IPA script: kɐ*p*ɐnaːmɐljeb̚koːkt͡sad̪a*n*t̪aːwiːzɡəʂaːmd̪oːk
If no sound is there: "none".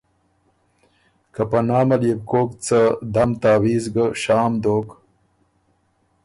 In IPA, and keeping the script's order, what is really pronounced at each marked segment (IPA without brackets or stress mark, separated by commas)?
p, m